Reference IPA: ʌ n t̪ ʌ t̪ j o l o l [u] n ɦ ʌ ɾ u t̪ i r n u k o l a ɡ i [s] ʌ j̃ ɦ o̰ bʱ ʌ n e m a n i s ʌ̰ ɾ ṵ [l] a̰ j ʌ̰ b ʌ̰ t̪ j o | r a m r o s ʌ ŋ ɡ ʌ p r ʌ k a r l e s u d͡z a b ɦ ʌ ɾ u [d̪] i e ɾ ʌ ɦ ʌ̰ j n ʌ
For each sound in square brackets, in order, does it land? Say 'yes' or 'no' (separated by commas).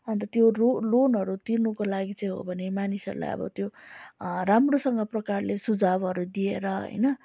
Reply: no, no, yes, yes